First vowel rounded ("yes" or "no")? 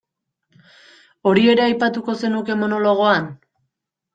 yes